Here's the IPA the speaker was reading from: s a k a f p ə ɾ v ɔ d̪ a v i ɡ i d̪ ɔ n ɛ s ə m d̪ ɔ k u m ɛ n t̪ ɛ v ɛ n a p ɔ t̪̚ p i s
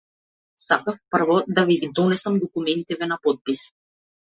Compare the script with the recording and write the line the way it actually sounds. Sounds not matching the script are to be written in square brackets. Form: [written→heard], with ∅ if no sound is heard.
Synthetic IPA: s a k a f p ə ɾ v ɔ d̪ a v i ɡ i d̪ ɔ n ɛ s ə m d̪ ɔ k u m ɛ n t̪ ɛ v ɛ n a p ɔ t̪̚ p i s